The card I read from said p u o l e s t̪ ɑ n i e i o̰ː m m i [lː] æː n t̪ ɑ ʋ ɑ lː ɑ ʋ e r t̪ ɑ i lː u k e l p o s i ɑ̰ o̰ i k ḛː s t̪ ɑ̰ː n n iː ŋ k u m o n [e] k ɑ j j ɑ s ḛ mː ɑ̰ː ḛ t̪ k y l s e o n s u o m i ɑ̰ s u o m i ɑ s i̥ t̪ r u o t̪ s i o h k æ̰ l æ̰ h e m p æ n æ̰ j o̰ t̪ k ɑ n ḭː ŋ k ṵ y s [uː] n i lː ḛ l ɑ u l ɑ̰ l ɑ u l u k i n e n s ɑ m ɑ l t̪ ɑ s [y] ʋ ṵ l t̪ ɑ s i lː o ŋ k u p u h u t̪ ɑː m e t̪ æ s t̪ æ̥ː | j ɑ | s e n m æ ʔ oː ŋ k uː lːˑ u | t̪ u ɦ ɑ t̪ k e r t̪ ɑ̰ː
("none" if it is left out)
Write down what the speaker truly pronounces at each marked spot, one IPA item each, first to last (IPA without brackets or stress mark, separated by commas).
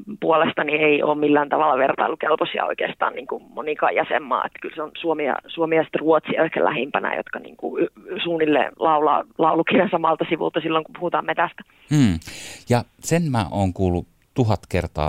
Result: lː, i, uː, i